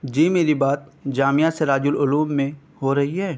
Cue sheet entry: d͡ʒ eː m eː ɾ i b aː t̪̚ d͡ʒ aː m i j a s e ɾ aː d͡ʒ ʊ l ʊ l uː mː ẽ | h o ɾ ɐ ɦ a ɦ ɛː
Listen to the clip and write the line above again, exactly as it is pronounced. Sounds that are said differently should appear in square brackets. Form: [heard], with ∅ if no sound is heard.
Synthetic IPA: d͡ʒ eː m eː ɾ i b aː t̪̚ d͡ʒ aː m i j a s e ɾ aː d͡ʒ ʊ l ʊ l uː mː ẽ | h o ɾ ɐ ɦ [i] ɦ ɛː